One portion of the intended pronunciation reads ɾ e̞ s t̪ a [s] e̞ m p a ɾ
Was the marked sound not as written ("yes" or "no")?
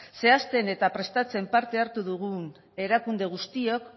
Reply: yes